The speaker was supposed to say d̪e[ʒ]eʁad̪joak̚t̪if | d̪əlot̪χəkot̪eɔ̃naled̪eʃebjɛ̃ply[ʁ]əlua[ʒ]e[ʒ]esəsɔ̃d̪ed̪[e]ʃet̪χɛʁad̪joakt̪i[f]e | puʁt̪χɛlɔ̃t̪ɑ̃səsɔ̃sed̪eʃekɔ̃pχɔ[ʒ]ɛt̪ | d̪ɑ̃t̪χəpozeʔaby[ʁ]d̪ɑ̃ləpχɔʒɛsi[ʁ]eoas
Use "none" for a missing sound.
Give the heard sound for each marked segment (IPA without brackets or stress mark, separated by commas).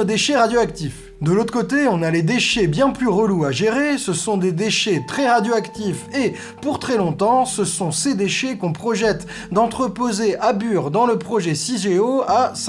ʃ, ʁ, ʒ, ʁ, e, f, ʒ, ʁ, ʒ